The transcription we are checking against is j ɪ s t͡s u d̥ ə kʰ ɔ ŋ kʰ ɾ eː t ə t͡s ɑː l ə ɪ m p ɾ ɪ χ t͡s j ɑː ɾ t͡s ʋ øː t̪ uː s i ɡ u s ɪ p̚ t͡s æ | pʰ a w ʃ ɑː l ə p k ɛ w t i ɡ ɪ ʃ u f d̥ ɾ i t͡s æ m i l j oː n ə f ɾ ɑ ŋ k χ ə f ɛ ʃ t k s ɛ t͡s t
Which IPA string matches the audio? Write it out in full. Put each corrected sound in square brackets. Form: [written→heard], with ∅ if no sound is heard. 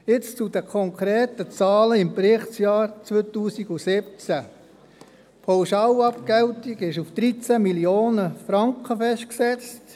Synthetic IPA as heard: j ɪ [s→t͡s] t͡s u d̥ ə kʰ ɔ ŋ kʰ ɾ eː t ə t͡s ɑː l ə ɪ m p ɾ ɪ χ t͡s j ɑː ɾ t͡s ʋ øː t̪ uː s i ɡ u s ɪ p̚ t͡s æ | pʰ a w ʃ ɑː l [ə→ɑ] p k ɛ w t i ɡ ɪ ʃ u f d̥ ɾ i t͡s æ m i l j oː n ə f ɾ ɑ ŋ k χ ə f ɛ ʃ t k s ɛ t͡s t